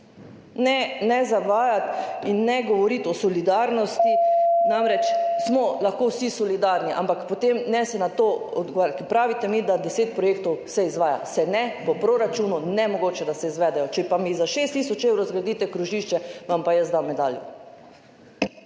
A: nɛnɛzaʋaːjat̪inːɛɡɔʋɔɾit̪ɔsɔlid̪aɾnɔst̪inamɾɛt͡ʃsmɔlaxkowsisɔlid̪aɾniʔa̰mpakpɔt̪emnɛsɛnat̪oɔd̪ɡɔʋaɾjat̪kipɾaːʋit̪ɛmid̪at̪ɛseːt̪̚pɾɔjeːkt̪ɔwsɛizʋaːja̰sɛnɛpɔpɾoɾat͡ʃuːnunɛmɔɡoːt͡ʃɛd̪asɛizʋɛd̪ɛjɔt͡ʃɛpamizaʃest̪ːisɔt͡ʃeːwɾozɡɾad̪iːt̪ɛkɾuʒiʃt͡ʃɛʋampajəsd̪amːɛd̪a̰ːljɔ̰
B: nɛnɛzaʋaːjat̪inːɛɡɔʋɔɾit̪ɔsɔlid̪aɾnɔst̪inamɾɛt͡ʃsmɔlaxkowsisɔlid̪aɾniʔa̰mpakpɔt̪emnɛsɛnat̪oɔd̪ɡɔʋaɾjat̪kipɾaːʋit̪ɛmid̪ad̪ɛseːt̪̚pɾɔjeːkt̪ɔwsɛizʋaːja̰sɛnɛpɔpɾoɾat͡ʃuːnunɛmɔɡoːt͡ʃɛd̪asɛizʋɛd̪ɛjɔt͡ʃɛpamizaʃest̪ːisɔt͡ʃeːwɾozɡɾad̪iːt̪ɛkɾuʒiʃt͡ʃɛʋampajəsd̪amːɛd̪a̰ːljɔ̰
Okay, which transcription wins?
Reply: B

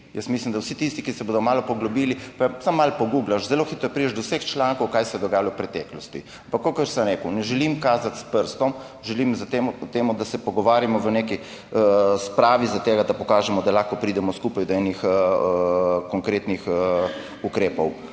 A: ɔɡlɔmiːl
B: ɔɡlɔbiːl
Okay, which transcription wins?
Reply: B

